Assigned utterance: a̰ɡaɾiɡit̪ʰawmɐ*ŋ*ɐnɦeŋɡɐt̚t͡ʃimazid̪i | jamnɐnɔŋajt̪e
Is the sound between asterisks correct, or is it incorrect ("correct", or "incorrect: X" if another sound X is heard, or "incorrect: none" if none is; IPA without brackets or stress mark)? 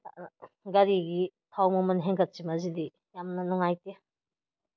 incorrect: m